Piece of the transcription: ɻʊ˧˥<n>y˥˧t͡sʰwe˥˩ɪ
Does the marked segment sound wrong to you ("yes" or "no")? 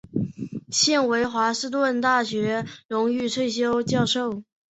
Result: yes